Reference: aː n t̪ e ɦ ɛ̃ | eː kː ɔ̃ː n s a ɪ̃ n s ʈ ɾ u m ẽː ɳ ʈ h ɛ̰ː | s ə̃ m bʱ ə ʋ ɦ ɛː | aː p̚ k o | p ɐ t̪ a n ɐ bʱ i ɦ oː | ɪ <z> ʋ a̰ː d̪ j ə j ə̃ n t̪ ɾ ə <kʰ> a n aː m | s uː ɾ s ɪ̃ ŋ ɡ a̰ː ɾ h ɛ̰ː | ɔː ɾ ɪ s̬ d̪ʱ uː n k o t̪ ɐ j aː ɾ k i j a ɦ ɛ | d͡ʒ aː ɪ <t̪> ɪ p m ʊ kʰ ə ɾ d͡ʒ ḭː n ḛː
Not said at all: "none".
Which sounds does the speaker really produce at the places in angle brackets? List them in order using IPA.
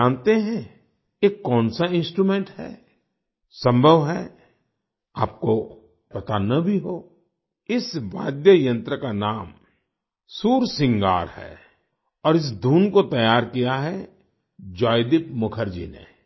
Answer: s, k, d̪

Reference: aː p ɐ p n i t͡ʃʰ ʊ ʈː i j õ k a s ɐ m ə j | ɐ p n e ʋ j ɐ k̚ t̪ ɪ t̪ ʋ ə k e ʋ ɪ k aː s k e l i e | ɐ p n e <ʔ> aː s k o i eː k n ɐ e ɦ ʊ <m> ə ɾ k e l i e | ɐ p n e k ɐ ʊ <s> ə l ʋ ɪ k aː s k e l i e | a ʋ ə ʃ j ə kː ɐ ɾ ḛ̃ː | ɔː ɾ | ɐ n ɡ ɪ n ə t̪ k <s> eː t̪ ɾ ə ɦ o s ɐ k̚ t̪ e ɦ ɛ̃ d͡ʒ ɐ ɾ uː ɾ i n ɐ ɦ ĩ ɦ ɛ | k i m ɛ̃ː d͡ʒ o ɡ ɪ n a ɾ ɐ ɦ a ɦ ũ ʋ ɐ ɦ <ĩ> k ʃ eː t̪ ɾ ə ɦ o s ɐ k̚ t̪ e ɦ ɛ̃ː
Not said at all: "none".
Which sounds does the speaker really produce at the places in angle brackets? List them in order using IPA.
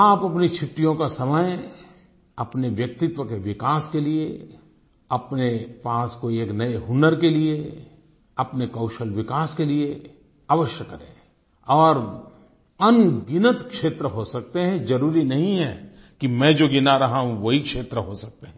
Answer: p, n, ʃ, ʃ, i

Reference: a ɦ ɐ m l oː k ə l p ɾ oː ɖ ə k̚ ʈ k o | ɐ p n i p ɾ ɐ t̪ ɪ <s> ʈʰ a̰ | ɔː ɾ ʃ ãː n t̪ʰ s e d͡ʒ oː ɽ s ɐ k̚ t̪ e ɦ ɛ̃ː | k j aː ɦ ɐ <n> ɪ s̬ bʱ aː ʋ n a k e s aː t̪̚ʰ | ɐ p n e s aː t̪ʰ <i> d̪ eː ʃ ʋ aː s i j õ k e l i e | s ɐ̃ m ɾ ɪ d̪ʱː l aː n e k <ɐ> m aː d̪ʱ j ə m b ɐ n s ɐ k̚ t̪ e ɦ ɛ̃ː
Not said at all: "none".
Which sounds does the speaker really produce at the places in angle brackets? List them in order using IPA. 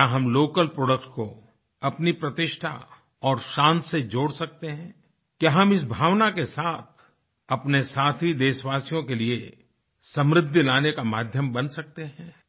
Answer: ʃ, m, i, a

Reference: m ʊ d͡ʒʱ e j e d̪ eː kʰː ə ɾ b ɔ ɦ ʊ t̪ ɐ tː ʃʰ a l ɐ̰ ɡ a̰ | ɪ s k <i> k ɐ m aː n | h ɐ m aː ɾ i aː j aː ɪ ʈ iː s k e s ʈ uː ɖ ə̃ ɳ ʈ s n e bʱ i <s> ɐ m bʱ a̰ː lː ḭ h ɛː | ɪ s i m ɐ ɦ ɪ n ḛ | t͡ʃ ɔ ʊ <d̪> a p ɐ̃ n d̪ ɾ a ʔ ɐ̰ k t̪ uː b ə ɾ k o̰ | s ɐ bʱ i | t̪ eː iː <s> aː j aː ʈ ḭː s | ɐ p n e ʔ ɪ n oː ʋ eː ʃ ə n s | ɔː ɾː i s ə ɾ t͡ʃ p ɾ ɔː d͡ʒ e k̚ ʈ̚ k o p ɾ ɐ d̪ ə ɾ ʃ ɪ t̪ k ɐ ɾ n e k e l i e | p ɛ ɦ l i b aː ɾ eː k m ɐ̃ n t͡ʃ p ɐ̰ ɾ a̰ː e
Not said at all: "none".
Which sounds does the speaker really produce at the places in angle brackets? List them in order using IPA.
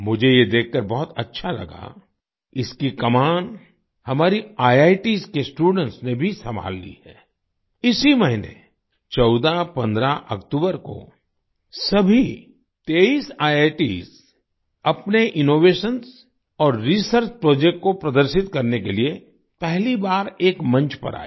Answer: i, s, d̪, s

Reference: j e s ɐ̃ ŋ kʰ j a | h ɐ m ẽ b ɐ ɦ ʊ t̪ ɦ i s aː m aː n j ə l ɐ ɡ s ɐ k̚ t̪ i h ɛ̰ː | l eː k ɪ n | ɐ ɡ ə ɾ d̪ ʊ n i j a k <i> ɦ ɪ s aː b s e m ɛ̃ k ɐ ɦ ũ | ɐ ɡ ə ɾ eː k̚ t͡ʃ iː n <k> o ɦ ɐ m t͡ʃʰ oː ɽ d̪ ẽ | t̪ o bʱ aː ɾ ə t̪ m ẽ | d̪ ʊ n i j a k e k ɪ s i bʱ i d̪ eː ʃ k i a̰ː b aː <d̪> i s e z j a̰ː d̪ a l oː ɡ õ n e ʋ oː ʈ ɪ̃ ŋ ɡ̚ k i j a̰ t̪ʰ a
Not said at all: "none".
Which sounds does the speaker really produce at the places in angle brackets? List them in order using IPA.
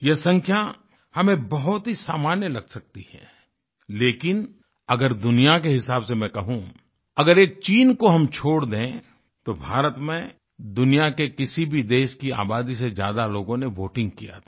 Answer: e, k, d̪

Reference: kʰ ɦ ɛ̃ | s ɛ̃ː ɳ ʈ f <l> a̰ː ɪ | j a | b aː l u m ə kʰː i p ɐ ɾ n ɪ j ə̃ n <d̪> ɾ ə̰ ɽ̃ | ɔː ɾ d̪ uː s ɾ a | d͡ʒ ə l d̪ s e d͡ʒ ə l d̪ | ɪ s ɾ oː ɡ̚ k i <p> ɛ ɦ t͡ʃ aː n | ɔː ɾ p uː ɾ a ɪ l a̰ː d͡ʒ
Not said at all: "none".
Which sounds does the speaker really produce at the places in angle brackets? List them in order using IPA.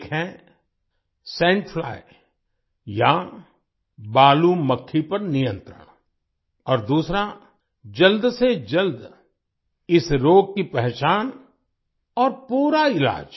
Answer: l, t̪, p

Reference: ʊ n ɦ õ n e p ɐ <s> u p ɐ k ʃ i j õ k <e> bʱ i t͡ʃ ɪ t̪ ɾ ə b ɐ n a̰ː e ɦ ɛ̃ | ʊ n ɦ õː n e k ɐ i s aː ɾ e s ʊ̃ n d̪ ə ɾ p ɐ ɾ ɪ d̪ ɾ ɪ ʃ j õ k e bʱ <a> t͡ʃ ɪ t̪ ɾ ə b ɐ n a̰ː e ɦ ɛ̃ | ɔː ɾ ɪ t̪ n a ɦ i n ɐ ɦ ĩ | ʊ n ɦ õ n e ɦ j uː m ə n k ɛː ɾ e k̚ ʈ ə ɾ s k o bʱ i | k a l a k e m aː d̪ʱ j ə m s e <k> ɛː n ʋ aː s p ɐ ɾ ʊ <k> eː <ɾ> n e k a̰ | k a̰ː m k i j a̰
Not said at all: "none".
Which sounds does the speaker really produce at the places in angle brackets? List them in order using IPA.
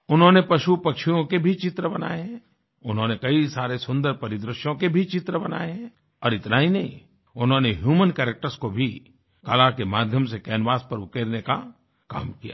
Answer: ʃ, e, i, k, k, ɾ

